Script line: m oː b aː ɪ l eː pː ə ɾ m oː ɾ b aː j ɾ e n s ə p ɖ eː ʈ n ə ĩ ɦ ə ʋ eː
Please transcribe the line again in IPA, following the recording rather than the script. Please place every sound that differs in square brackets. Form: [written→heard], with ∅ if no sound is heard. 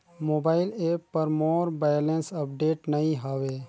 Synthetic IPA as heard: m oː b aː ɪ l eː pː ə ɾ m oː ɾ b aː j [ɾ→l] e n s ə p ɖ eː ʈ n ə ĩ ɦ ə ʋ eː